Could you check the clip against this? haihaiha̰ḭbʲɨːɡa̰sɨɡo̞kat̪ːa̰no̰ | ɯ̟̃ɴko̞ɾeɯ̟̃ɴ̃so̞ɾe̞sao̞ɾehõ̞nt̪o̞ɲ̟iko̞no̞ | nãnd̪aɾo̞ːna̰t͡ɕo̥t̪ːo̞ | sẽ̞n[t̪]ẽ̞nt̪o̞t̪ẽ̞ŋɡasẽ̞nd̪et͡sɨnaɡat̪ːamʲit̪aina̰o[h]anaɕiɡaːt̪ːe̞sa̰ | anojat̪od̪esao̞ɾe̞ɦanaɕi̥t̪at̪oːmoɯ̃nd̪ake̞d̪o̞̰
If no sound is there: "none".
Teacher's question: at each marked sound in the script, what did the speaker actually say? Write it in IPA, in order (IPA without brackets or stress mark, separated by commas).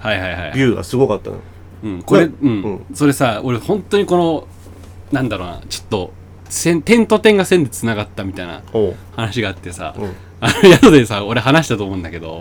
t̪, h